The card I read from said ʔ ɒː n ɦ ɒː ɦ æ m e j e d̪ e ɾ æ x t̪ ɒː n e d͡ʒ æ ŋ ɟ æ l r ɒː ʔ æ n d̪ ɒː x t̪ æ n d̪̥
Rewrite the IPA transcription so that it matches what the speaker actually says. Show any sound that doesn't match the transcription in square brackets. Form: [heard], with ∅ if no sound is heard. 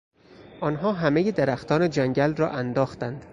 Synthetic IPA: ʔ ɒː n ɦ ɒː ɦ æ m e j e d̪ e ɾ æ x t̪ ɒː n e d͡ʒ æ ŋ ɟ æ l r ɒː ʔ æ n d̪ ɒː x t̪ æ n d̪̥